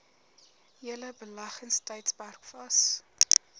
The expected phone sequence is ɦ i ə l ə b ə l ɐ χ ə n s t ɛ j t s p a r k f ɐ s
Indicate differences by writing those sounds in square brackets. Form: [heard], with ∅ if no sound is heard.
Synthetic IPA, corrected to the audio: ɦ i ə l ə b ə l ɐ χ ə n s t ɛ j t s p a r k f ɐ s